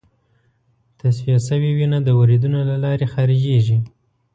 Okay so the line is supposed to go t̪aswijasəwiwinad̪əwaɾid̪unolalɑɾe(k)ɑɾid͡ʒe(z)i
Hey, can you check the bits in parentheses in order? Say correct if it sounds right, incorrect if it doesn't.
incorrect, incorrect

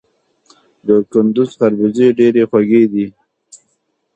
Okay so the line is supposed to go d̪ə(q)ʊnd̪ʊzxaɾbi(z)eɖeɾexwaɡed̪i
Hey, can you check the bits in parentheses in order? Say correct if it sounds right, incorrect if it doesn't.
incorrect, correct

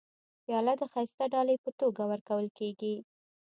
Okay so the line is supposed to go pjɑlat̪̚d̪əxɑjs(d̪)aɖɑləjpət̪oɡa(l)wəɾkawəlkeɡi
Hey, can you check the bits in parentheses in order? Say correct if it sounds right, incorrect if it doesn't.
incorrect, incorrect

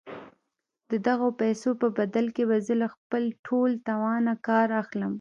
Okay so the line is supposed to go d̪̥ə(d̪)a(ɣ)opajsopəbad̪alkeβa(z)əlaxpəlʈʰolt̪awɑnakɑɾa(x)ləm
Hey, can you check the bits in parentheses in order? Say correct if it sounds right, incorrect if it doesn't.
correct, correct, correct, correct

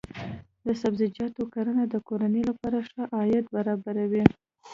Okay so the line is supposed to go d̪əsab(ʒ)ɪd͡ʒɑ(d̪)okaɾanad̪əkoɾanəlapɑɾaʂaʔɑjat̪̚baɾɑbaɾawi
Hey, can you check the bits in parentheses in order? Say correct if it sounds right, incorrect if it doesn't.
incorrect, incorrect

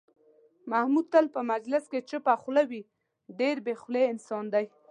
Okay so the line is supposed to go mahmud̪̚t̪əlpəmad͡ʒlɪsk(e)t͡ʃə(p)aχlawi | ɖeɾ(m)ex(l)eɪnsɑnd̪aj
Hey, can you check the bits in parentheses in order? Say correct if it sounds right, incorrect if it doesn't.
correct, correct, incorrect, correct

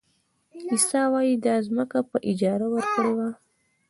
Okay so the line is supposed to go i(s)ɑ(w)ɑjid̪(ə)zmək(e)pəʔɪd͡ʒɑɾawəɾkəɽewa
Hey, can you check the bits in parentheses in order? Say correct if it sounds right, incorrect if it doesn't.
correct, correct, incorrect, incorrect

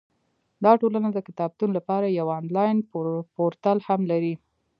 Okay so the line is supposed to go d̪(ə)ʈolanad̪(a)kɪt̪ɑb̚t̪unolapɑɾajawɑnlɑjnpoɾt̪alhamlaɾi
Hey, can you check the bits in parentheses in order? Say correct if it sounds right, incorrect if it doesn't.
incorrect, incorrect

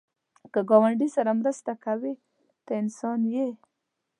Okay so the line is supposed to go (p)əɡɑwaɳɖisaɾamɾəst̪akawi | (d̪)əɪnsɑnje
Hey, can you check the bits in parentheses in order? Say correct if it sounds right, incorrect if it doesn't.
incorrect, incorrect

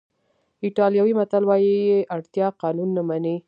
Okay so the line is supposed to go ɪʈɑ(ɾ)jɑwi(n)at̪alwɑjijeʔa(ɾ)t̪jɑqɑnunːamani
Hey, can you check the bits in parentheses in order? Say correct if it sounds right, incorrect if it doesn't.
incorrect, incorrect, incorrect

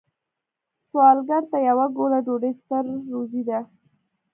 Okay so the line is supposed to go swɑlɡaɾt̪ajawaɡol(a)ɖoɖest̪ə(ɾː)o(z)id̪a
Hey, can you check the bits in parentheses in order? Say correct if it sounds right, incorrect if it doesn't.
correct, correct, correct

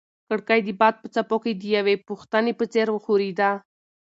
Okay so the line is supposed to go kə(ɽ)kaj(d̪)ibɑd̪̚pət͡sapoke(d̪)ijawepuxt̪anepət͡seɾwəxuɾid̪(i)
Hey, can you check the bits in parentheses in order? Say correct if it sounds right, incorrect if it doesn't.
correct, correct, correct, incorrect

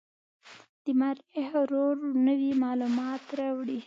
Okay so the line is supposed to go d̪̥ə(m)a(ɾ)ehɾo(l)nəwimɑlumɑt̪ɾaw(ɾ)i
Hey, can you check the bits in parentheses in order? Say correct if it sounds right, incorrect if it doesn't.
correct, correct, incorrect, incorrect

